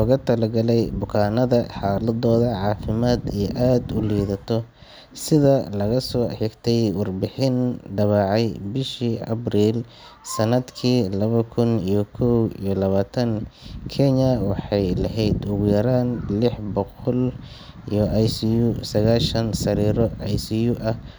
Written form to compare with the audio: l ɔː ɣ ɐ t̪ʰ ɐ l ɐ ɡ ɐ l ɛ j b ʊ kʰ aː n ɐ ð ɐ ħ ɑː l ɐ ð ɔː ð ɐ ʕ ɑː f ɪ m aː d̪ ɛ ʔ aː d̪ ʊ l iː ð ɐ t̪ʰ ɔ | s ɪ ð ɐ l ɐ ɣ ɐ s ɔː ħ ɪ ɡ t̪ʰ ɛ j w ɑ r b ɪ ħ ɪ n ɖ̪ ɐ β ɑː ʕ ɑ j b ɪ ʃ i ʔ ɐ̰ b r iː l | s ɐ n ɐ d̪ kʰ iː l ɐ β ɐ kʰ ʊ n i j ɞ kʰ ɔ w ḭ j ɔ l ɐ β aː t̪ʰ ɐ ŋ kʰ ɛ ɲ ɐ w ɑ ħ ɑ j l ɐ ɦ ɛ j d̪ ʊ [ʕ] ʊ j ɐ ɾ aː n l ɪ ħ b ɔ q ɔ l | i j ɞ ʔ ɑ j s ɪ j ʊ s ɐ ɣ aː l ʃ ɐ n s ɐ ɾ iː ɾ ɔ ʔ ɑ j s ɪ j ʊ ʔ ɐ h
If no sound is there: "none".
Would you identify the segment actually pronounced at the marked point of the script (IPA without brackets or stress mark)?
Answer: ɣ